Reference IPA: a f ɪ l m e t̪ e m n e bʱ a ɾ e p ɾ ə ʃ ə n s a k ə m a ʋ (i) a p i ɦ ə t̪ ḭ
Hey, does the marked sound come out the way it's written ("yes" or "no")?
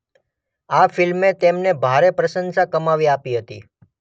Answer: yes